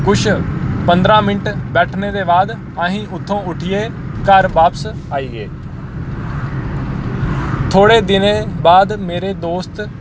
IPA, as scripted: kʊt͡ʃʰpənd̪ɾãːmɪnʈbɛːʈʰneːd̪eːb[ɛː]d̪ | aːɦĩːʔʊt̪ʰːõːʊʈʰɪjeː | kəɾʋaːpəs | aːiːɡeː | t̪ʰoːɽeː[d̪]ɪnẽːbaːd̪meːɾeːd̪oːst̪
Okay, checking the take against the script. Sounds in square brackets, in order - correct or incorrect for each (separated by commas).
incorrect, correct